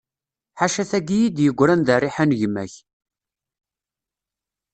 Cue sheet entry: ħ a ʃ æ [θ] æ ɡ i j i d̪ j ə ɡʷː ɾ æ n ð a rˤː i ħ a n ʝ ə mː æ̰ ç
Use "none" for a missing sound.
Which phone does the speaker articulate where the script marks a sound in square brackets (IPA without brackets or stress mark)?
θ